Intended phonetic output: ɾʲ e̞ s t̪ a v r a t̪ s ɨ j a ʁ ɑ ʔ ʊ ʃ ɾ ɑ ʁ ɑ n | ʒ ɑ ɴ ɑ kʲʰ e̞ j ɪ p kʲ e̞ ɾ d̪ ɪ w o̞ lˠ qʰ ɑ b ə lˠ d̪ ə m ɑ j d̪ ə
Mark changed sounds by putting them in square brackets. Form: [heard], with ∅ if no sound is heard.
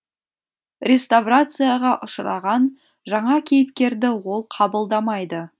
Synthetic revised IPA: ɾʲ e̞ s t̪ a v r a t̪ s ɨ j a ʁ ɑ ʔ ʊ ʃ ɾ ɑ ʁ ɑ n | ʒ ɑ ɴ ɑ kʲʰ e̞ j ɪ p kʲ e̞ ɾ d̪ ɪ w o̞ lˠ qʰ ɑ b ə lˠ d̪ [ɑ] m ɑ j d̪ ə